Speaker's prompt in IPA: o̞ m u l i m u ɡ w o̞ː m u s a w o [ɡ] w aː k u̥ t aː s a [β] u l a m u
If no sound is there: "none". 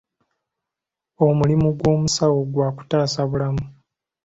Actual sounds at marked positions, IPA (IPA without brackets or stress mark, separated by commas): ɡ, β